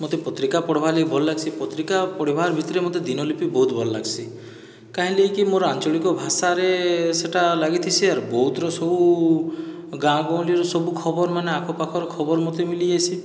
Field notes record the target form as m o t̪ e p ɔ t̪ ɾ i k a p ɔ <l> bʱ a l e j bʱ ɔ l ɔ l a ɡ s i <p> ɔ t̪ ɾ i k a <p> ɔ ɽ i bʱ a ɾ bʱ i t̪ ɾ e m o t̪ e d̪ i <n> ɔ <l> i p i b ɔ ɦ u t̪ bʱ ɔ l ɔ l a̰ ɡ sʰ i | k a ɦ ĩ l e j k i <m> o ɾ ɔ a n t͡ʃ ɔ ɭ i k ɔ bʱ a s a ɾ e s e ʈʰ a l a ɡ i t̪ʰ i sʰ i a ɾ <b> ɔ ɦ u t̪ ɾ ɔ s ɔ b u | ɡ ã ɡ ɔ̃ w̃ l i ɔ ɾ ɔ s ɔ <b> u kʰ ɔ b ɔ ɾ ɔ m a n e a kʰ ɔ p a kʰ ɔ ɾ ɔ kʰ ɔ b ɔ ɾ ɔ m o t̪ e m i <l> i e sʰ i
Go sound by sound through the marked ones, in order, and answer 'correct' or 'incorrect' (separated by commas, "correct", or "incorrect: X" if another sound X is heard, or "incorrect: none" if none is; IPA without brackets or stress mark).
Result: incorrect: ɽ, correct, correct, correct, correct, correct, correct, correct, correct